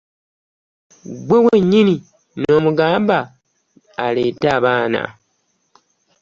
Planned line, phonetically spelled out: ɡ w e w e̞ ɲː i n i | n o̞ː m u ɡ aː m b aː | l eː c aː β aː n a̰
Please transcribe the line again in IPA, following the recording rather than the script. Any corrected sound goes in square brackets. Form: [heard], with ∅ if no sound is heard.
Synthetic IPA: ɡ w e w e̞ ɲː i n i | n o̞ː m u ɡ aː m b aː | l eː [t] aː β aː n a̰